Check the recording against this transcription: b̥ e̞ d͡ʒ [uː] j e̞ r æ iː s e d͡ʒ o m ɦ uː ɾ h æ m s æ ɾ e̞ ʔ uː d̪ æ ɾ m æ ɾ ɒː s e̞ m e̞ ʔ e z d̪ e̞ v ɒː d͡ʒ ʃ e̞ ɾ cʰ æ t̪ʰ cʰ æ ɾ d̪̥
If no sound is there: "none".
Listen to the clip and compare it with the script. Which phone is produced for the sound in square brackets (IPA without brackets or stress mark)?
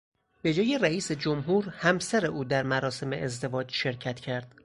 ɒː